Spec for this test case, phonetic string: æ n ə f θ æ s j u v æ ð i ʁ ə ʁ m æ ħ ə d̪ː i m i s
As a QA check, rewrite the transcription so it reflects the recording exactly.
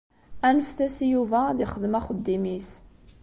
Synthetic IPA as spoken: æ n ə f θ æ s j u v æ ð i χ ə ð m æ χ ə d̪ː i m i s